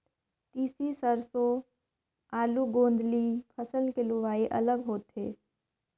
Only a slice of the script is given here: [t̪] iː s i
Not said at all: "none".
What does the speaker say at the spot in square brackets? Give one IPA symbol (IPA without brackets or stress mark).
t̪